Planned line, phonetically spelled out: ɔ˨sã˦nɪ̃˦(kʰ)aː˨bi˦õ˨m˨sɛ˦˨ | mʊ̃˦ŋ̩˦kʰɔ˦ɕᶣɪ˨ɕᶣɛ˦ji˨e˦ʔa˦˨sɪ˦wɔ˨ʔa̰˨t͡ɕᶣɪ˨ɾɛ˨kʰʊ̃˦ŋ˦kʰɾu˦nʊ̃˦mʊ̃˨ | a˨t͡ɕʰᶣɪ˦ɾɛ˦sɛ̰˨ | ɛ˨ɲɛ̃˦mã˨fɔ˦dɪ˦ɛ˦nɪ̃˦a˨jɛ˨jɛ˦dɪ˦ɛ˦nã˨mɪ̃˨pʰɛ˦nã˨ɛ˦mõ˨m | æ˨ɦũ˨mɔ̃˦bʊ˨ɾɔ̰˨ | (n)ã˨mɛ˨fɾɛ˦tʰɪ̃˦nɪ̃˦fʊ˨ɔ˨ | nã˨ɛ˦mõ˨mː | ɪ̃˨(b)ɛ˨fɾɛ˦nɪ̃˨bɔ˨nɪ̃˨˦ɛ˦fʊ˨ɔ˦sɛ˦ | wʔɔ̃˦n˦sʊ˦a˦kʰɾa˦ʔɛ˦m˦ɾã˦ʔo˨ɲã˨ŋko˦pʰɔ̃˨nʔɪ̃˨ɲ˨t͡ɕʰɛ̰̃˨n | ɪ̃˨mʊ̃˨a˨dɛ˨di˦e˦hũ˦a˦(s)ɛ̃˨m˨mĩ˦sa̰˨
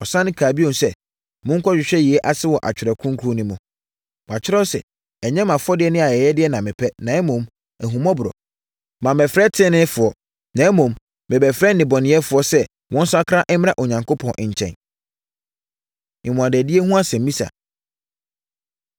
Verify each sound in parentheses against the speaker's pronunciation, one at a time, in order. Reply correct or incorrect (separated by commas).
correct, incorrect, correct, correct